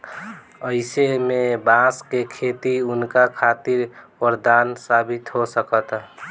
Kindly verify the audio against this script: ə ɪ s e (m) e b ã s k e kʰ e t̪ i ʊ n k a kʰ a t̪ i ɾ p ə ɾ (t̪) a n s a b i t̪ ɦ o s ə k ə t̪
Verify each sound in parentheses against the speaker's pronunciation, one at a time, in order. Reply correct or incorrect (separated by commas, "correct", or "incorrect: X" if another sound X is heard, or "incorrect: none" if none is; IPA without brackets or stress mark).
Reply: correct, incorrect: d̪